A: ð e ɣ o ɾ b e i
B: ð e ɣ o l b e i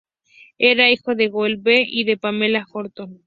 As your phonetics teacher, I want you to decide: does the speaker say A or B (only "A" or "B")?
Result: B